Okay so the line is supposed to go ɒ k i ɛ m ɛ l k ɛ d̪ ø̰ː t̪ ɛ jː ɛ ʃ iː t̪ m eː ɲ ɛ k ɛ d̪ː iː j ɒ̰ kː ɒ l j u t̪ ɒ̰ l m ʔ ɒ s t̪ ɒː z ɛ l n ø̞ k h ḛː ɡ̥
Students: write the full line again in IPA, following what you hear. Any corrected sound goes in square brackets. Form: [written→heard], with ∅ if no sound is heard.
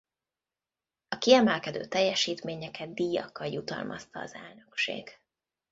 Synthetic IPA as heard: ɒ k i ɛ m ɛ l k ɛ d̪ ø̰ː t̪ ɛ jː ɛ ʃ iː t̪ m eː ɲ ɛ k ɛ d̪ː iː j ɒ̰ kː ɒ l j u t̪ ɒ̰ l m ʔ ɒ s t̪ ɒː z ɛ l n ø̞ k [h→ʃ] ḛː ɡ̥